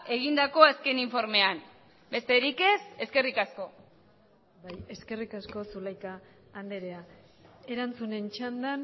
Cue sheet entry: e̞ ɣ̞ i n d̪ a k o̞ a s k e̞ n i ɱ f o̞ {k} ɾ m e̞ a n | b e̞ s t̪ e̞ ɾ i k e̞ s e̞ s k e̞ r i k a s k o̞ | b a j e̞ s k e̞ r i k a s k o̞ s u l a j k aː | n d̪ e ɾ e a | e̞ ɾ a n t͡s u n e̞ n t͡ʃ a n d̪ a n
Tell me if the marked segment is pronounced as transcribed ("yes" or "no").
no